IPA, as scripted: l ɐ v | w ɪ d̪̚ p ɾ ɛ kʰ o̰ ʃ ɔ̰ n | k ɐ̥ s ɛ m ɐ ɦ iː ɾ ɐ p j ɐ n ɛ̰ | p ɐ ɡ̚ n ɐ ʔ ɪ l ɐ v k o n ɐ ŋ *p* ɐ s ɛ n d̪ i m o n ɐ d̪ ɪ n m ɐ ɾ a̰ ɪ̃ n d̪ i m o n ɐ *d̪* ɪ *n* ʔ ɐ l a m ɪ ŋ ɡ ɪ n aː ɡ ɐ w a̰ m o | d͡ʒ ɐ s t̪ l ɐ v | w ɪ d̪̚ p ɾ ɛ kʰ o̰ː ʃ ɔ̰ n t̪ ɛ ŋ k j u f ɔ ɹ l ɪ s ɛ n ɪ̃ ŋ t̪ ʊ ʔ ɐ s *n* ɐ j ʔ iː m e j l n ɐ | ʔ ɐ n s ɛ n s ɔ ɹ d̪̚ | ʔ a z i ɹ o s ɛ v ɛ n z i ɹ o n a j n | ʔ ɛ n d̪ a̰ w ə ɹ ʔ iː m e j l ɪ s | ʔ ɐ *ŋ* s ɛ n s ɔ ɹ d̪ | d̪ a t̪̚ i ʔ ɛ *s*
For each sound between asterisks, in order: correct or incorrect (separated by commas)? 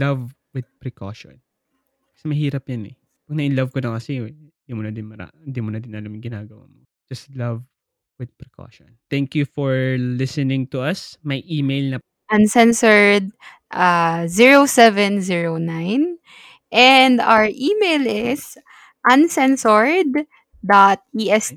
incorrect, correct, correct, incorrect, incorrect, correct